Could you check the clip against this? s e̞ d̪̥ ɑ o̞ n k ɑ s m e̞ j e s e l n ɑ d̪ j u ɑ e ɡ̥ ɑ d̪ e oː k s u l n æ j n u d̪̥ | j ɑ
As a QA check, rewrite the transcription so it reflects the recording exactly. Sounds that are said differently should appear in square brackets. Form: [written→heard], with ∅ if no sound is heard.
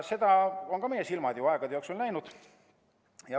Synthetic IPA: s e̞ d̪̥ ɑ o̞ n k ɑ [s→∅] m e̞ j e s [e→i] l [n→m] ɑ d̪ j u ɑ e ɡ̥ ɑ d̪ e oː k s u l n æ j n u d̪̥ | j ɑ

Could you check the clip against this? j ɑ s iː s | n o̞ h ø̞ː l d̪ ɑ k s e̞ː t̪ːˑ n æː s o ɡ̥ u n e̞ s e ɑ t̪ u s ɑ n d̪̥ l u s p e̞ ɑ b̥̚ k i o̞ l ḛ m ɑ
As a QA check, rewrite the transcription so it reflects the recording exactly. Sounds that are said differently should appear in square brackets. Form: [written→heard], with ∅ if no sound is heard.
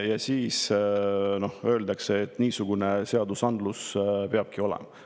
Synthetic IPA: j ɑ s iː s | n o̞ h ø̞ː l d̪ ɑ k s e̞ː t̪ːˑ n [æː→iː] s [o→u] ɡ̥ u n e̞ s e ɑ [t̪→d̪] u s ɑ n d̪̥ l u s p e̞ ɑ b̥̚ k i o̞ l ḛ m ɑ

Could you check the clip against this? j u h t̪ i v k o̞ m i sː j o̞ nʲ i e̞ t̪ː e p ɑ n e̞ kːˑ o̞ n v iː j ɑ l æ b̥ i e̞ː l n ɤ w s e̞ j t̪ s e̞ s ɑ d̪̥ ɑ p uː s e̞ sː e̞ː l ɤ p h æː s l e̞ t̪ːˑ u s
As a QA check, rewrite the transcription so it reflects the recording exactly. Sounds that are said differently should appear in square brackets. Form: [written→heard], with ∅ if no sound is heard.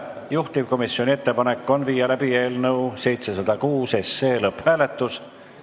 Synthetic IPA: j u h t̪ i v k o̞ m i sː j o̞ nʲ i e̞ t̪ː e p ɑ n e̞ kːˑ o̞ n v iː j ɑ l æ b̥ i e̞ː l n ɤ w s e̞ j t̪ s e̞ s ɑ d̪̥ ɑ [p→k] uː s e̞ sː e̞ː l ɤ p h æː [s→∅] l e̞ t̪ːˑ u s

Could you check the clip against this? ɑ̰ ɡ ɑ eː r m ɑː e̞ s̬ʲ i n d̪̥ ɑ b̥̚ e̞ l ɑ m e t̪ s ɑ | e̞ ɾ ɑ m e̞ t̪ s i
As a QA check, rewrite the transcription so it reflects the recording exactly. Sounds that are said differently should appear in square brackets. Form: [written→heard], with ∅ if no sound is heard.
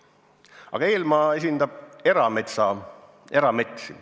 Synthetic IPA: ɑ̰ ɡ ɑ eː [r→l] m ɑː e̞ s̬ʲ i n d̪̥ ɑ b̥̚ e̞ [l→ɾ] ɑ m e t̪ s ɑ | e̞ ɾ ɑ m e̞ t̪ s i

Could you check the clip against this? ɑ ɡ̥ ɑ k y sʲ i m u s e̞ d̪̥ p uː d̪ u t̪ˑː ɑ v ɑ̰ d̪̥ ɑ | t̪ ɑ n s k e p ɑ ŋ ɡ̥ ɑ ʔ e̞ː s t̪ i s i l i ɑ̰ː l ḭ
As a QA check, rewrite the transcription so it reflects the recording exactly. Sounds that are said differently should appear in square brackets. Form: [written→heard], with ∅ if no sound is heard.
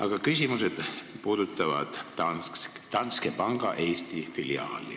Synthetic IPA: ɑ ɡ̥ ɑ k y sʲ i m u s e̞ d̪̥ p uː d̪ u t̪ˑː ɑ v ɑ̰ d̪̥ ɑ | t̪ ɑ n s k e p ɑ ŋ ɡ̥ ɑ ʔ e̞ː s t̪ i [s→f] i l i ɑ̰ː l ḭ

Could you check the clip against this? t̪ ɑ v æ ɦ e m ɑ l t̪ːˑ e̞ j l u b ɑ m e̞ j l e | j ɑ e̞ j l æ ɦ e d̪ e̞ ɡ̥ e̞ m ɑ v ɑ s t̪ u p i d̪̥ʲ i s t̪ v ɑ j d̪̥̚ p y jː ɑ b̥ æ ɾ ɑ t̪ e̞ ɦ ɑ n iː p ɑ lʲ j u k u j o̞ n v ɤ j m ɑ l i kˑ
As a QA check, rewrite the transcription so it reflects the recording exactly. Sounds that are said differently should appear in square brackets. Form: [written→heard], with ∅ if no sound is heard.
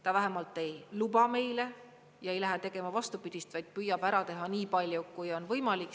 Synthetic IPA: t̪ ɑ v æ ɦ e m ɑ l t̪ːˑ e̞ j l u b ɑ m e̞ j l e | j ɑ e̞ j l æ ɦ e [d̪→t̪] e̞ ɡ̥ e̞ m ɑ v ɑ s t̪ u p i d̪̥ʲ i s t̪ v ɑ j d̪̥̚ p y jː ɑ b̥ æ ɾ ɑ t̪ e̞ ɦ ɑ n iː p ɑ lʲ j u k u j o̞ n v ɤ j m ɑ l i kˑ

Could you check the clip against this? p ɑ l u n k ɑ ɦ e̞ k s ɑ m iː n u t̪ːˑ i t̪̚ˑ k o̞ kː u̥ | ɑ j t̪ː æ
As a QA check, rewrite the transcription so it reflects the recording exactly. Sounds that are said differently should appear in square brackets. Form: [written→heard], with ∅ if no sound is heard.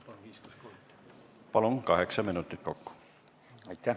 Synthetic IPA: p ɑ l u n k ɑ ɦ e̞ k s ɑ m [iː→i] n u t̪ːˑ i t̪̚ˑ k o̞ kː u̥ | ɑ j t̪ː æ

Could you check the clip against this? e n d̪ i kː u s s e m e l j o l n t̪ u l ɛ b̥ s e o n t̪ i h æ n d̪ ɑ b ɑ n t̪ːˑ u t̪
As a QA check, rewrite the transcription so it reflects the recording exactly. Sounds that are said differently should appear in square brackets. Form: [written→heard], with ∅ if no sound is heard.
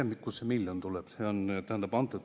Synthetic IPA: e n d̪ i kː u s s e m [e→i] l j o [l→∅] n t̪ u l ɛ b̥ s e o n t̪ [i→æ] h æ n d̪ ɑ b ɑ n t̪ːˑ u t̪

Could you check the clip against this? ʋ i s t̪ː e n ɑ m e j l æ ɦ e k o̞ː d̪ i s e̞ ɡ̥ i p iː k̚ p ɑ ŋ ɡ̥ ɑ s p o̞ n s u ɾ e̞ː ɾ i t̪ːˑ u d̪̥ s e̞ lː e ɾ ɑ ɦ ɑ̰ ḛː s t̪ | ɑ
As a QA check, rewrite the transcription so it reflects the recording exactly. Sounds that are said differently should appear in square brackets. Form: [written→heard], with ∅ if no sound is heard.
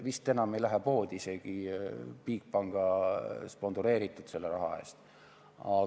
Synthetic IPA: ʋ i s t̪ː e n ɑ m e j l æ ɦ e [k→p] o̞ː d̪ i s e̞ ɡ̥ i p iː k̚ p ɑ ŋ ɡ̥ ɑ s p o̞ n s u ɾ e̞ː ɾ i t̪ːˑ u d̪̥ s e̞ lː e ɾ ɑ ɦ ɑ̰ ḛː s t̪ | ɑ

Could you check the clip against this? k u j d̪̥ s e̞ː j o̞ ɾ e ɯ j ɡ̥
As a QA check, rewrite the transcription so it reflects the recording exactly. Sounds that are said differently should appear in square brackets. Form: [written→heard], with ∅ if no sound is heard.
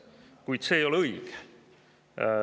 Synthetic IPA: k u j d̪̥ s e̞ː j o̞ [ɾ→l] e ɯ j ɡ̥

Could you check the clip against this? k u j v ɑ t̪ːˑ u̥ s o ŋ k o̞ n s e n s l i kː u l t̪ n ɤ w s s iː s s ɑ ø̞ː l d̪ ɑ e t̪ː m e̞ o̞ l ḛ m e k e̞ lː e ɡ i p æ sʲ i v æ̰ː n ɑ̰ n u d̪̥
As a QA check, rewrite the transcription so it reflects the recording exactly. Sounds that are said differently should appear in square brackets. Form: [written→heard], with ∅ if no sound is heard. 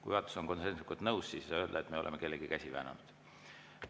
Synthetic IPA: k u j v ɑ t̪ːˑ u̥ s o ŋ k o̞ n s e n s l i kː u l t̪ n ɤ w s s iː s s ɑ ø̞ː l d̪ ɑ e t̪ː m e̞ o̞ l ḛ m e k e̞ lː e ɡ i [p→k] æ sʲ i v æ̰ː n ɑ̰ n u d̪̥

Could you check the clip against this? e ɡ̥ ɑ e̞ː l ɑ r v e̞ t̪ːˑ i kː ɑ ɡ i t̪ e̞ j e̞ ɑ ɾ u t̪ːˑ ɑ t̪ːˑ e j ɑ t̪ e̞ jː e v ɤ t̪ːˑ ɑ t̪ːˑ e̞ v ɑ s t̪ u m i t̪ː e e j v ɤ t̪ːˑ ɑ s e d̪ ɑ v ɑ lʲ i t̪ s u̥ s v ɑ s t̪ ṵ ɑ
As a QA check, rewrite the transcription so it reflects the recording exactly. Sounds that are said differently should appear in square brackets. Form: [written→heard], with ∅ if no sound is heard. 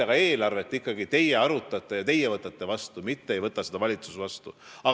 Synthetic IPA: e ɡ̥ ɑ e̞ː l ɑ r v e̞ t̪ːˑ i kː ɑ ɡ i t̪ e̞ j e̞ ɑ ɾ u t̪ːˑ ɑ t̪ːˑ e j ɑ t̪ e̞ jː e v ɤ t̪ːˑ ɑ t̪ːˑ e̞ v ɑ s t̪ u m i t̪ː e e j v ɤ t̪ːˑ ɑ s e d̪ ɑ v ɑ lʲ i t̪ s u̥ s v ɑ s t̪ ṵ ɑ

